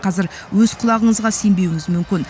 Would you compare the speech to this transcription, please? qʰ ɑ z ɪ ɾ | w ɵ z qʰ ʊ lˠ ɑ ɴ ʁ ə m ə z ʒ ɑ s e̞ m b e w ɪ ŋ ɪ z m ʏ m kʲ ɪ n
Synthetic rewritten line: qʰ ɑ z ɪ ɾ | w ɵ z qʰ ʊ lˠ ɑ ʁ ə ɴ ə z ʁ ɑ s e̞ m b e w ɪ ŋ ɪ z m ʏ m kʲ ɪ n